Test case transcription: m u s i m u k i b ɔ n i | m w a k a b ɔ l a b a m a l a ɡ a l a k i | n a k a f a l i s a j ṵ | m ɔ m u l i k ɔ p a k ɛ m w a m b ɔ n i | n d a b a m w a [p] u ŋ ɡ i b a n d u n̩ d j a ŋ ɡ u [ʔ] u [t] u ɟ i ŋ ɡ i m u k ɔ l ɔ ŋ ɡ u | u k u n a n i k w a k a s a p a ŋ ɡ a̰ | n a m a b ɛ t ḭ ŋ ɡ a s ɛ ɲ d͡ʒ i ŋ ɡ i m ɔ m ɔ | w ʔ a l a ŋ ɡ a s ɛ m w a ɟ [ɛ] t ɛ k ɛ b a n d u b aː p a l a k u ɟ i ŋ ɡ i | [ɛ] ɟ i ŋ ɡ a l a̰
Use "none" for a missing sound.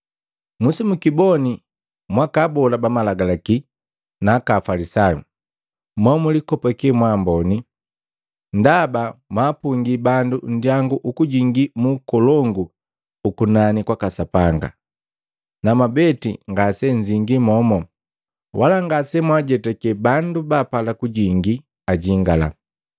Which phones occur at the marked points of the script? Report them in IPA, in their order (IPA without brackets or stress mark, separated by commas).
p, ʔ, k, ɛ, a